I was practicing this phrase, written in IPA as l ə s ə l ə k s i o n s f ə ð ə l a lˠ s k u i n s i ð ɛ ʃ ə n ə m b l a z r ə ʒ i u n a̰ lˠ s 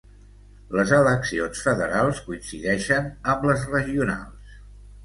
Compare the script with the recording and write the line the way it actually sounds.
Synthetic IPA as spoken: l ə z ə l ə k s i o n s f ə ð ə ɾ a lˠ s k u i n s i ð ɛ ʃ ə n ə m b l ə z r ə ʒ i u n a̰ lˠ s